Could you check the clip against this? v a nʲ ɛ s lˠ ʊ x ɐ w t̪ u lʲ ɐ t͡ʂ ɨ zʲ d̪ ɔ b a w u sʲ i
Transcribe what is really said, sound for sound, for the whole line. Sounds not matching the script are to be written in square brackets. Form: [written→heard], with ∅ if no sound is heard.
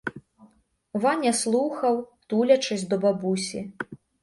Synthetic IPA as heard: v a nʲ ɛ s lˠ [ʊ→u] x ɐ w t̪ u lʲ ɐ t͡ʂ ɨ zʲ d̪ ɔ b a [w→b] u sʲ i